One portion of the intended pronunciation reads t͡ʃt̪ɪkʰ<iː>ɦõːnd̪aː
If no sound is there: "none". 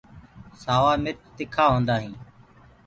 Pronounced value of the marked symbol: aː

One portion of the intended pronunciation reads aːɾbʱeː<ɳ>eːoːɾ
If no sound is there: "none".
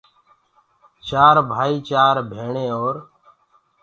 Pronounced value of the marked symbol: ɳ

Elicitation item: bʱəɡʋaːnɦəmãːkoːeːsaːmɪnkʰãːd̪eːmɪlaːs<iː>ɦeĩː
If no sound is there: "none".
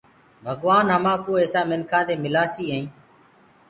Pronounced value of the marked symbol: iː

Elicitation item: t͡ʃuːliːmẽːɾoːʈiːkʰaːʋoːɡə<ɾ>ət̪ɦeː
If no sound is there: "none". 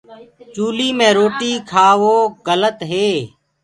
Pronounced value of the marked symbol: l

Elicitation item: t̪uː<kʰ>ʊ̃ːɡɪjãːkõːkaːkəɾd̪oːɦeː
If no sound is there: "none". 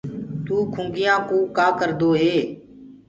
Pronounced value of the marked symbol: kʰ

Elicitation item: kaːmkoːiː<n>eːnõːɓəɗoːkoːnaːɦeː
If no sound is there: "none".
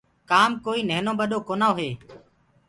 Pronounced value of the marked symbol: n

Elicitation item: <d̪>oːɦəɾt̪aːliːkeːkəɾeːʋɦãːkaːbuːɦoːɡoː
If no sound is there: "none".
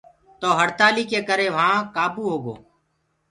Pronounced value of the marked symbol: t̪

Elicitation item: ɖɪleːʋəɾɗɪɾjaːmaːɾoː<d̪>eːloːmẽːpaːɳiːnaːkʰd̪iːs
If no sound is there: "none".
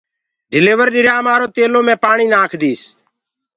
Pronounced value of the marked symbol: t̪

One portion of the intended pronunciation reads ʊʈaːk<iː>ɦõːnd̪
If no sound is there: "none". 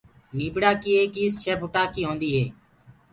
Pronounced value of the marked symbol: iː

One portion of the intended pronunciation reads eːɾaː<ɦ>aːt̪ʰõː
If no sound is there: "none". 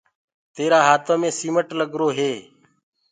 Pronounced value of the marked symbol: ɦ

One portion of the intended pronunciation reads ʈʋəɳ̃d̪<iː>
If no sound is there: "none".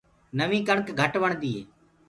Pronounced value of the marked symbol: iː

